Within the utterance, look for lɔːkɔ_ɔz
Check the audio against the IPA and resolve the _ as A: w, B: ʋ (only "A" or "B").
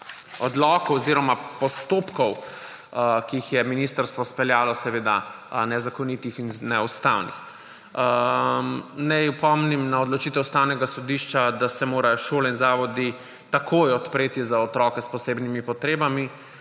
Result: A